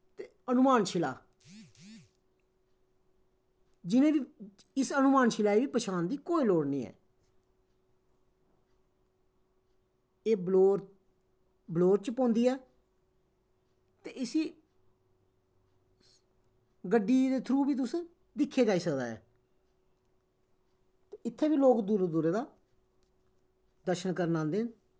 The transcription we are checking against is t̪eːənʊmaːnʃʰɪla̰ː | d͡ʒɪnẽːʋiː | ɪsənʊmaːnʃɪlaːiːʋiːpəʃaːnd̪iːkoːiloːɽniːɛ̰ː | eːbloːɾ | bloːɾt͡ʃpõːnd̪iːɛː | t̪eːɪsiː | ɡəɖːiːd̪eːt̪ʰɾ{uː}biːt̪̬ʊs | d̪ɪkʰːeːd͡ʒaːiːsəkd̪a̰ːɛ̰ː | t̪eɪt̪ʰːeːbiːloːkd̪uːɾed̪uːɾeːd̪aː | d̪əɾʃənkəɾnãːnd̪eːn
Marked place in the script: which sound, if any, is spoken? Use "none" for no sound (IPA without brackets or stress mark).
uː